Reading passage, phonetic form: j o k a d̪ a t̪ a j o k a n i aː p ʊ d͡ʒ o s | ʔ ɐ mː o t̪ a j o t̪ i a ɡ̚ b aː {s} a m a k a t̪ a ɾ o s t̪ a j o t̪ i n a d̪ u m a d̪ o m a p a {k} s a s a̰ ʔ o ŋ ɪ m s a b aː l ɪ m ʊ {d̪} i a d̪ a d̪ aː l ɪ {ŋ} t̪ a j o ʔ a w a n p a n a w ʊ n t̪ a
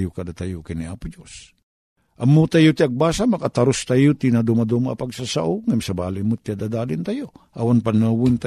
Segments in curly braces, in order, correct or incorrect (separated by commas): correct, incorrect, incorrect, incorrect